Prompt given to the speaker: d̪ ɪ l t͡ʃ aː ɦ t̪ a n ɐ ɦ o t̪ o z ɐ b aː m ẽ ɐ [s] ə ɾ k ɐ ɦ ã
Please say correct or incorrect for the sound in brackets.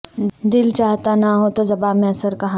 correct